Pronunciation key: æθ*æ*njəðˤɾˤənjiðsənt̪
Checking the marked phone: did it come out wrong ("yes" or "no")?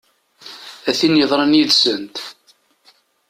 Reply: yes